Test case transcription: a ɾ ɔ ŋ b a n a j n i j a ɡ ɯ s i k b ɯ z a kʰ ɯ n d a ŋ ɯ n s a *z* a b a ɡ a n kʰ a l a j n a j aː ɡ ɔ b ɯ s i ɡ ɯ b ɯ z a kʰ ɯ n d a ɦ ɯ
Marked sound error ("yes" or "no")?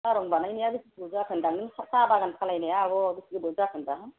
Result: yes